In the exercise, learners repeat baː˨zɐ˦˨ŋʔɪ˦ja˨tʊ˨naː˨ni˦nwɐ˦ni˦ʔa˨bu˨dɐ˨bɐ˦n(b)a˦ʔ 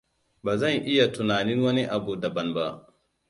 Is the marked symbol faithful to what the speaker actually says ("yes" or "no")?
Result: yes